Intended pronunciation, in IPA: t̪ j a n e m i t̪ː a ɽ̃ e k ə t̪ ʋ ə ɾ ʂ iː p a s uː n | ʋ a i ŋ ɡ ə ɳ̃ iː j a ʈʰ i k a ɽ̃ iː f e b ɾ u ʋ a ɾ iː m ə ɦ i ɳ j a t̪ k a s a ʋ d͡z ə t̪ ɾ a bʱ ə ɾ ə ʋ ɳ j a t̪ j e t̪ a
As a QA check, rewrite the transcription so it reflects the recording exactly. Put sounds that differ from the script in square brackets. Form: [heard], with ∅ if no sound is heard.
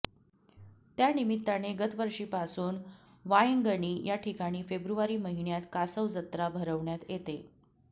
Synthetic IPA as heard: t̪ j a n [i] m i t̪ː a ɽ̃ e [ɡ] ə t̪ ʋ ə ɾ ʂ iː p a s uː n | ʋ a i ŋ ɡ ə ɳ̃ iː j a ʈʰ i k a ɽ̃ iː f e b ɾ u ʋ a ɾ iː m ə ɦ i ɳ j a t̪ k a s [ə] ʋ d͡z ə t̪ ɾ a bʱ ə ɾ ə ʋ ɳ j a t̪ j e t̪ [e]